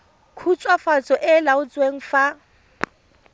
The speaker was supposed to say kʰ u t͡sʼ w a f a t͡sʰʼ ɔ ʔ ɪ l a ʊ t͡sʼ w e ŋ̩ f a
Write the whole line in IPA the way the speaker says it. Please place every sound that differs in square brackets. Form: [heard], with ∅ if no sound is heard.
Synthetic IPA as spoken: kʰ u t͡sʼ w a f a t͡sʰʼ ɔ ʔ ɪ l a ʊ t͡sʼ w e ŋ̩ f a